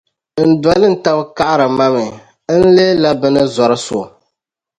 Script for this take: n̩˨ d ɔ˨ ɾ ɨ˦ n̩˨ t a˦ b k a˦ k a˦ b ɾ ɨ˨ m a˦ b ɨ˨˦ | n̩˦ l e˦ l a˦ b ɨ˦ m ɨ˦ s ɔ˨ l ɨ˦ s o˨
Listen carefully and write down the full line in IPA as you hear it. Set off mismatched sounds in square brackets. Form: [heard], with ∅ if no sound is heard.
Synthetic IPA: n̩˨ d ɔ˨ [l] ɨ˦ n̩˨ t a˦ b k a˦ [ʔ] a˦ [∅] ɾ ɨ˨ m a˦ [m] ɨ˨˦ | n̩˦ l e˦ l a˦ b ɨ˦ [n] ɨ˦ [z] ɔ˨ [ɾ] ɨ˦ s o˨